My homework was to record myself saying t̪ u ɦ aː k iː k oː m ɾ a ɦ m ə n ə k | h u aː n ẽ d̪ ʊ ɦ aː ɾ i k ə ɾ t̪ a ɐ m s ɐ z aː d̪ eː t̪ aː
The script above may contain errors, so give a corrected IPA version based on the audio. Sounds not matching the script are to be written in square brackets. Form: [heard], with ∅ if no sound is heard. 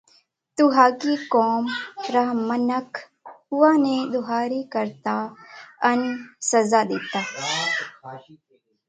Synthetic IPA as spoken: t̪ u ɦ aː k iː k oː m ɾ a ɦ m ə n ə k | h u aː n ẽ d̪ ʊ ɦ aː ɾ i k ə ɾ t̪ a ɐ [n] s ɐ z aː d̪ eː t̪ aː